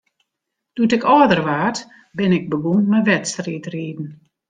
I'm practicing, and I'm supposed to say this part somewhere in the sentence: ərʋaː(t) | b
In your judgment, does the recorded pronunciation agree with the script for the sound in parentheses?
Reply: yes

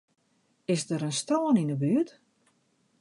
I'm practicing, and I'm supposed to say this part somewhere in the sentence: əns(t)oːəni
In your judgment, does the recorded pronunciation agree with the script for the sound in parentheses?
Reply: yes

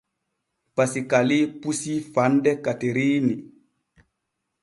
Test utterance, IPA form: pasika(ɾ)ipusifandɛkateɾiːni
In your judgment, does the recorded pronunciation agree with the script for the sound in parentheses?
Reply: no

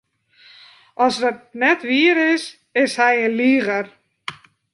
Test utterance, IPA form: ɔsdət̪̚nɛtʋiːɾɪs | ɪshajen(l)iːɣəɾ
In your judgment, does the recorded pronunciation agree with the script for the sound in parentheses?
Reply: yes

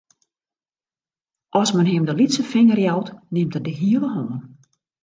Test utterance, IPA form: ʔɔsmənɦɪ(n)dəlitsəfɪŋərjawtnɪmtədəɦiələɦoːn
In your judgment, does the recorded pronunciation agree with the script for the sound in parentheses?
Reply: no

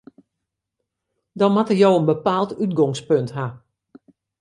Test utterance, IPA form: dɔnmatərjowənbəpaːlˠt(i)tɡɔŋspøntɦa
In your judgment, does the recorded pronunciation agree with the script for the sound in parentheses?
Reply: no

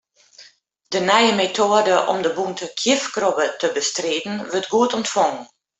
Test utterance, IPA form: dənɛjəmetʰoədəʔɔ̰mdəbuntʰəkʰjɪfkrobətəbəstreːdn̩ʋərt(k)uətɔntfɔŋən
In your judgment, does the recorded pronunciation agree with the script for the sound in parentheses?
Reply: no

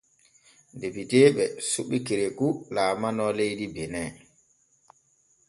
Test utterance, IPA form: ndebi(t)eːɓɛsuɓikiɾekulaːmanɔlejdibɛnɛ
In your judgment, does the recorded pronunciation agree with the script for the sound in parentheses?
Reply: yes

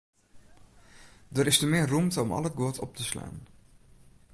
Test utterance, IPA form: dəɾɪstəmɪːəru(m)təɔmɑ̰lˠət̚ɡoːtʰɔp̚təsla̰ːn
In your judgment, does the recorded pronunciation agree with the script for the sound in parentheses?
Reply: yes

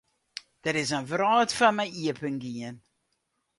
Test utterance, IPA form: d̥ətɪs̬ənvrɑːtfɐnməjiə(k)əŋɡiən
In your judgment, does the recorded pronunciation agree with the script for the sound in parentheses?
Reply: no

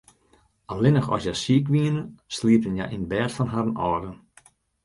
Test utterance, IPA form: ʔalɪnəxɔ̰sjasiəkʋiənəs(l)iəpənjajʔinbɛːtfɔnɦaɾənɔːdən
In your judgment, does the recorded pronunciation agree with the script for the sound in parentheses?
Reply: yes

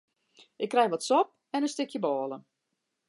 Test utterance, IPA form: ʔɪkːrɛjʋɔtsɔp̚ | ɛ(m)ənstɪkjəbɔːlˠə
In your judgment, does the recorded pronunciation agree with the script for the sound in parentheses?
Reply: no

